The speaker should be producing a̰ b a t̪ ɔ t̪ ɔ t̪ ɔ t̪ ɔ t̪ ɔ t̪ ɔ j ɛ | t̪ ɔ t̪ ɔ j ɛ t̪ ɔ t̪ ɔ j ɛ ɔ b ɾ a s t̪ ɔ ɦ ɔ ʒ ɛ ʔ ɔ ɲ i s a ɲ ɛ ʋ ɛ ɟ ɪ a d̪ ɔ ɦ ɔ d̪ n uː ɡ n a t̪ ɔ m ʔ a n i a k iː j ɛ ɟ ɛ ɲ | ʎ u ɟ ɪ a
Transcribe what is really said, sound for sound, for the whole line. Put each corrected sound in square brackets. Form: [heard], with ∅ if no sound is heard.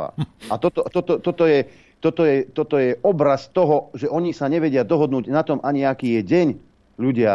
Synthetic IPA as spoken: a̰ [∅] a t̪ ɔ t̪ ɔ t̪ ɔ t̪ ɔ t̪ ɔ t̪ ɔ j ɛ | t̪ ɔ t̪ ɔ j ɛ t̪ ɔ t̪ ɔ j ɛ ɔ b ɾ a s t̪ ɔ ɦ ɔ ʒ ɛ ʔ ɔ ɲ i s a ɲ ɛ ʋ ɛ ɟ ɪ a d̪ ɔ ɦ ɔ d̪ n uː [ɟ] n a t̪ ɔ m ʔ a [ɲ] i a k iː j ɛ ɟ ɛ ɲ | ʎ u ɟ ɪ a